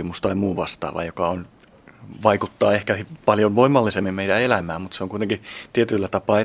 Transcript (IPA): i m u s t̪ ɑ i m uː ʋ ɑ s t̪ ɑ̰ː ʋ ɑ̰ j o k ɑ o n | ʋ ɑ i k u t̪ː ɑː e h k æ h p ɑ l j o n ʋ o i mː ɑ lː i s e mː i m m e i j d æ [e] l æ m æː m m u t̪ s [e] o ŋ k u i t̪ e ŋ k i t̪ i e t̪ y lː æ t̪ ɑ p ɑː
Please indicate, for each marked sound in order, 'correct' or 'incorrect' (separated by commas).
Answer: correct, correct